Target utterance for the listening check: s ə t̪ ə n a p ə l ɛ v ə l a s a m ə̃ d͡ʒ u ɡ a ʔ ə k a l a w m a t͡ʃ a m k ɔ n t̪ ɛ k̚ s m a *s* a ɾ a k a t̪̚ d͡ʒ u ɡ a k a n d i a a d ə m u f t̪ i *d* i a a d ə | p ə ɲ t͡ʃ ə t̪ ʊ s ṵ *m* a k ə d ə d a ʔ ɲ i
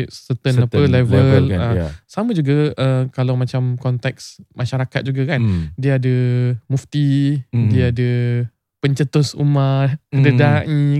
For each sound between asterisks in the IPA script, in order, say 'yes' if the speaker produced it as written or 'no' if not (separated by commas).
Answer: no, yes, yes